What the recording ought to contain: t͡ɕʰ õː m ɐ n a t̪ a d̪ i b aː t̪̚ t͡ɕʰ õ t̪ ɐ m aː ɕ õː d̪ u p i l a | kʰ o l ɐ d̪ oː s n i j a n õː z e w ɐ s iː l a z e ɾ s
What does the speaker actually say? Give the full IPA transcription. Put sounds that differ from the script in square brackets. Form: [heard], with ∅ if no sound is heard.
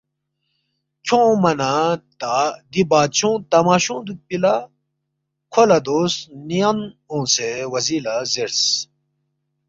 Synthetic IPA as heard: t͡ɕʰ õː m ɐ n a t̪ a d̪ i b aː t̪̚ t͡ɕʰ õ t̪ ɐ m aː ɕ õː d̪ u p i l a | kʰ o l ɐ d̪ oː s n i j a n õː [s] e w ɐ [z] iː l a z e ɾ s

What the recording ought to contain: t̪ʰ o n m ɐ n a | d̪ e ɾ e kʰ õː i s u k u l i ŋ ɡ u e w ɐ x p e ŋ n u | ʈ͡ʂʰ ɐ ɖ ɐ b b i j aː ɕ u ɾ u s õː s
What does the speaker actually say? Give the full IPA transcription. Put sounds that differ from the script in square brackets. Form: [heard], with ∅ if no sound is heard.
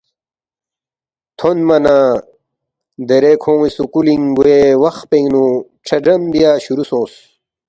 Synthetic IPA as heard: t̪ʰ o n m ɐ n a | d̪ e ɾ e kʰ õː i s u k u l i ŋ ɡ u e w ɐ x p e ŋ n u | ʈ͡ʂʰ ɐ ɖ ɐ [m] b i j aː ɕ u ɾ u s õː s

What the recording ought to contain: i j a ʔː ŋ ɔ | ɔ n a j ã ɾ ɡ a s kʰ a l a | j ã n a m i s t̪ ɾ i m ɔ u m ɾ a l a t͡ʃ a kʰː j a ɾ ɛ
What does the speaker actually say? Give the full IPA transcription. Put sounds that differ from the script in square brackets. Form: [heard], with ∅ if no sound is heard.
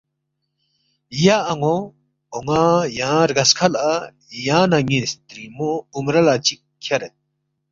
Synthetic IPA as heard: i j a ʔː ŋ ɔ | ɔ [ŋ] a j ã ɾ ɡ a s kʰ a l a | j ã n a [ŋ] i s t̪ ɾ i m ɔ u m ɾ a l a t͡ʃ [i] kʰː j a ɾ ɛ

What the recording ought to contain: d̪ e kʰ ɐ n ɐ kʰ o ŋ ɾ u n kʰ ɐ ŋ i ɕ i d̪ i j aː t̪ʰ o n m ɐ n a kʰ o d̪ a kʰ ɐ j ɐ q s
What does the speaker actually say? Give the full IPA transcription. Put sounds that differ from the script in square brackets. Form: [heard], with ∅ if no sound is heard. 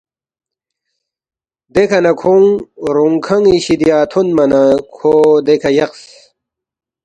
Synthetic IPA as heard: d̪ e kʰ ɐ n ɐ kʰ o ŋ ɾ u [ŋ] kʰ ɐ ŋ i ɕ i d̪ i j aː t̪ʰ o n m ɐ n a kʰ o d̪ [e] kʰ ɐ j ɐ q s

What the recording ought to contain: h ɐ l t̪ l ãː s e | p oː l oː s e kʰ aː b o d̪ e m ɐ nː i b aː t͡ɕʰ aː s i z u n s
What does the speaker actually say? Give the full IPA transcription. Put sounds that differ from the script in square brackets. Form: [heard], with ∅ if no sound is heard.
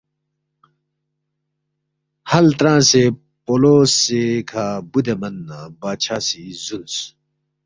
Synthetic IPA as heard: h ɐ l t̪ [ɾ] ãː s e | p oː l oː s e kʰ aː b [u] d̪ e m ɐ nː [a] b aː t͡ɕʰ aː s i z u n s

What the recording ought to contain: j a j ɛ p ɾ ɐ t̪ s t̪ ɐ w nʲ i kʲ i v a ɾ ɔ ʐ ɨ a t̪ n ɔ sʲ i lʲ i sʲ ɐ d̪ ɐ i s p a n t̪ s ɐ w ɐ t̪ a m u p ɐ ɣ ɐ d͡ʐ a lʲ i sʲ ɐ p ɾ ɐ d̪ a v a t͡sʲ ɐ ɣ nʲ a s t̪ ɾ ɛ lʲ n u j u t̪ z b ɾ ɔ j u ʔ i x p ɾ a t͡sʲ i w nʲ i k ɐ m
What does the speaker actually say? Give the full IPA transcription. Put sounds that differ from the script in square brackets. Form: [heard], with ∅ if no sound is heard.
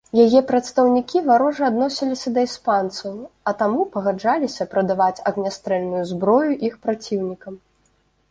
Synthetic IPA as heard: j a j ɛ p ɾ ɐ t̪ s t̪ ɐ w nʲ i kʲ i v a ɾ ɔ ʐ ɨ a [d̪] n ɔ sʲ i lʲ i sʲ ɐ d̪ ɐ i s p a n t̪ s ɐ w ɐ t̪ a m u p ɐ ɣ [a] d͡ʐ a lʲ i sʲ ɐ p ɾ ɐ d̪ a v a t͡sʲ ɐ ɣ nʲ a s t̪ ɾ ɛ lʲ n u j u [∅] z b ɾ ɔ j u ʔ i x p ɾ a t͡sʲ i w nʲ i k ɐ m

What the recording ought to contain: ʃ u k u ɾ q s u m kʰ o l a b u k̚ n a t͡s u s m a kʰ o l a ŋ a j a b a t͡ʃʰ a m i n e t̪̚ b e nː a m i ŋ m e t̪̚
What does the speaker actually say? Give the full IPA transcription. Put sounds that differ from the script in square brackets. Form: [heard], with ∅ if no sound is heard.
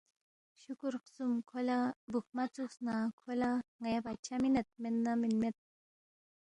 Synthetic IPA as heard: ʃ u k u ɾ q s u m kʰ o l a b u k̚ [m] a t͡s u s [n] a kʰ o l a ŋ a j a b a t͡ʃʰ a m i n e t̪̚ [m] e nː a m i [n] m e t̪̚

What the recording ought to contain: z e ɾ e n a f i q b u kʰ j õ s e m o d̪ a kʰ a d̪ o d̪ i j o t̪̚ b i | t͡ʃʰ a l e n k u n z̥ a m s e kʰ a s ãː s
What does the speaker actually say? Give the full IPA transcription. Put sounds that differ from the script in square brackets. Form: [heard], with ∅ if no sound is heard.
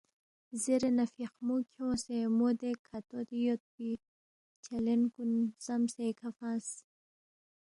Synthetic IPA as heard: z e ɾ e n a f i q [m] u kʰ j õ s e m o d̪ [e] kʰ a [t̪] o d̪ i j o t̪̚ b i | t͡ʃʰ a l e n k u n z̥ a m s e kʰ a [f] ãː s

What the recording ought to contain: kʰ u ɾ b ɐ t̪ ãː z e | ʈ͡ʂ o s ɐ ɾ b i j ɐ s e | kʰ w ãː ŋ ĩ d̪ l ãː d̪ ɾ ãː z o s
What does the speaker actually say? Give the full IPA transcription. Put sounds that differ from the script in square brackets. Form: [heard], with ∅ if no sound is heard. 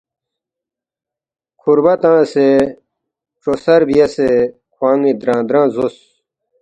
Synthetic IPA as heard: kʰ u ɾ b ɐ t̪ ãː [s] e | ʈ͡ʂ o s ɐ ɾ b i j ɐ s e | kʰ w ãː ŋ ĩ d̪ [ɾ] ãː d̪ ɾ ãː z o s

